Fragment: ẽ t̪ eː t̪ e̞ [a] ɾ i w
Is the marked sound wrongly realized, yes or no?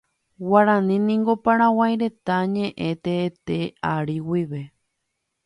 no